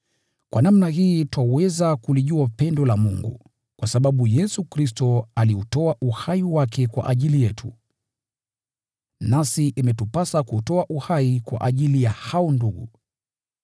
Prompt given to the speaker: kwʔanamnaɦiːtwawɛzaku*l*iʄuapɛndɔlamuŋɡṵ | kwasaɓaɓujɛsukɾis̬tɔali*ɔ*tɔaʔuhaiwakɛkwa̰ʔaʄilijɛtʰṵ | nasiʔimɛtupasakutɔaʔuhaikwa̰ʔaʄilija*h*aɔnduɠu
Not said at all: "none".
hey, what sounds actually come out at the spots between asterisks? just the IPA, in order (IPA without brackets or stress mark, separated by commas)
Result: l, u, h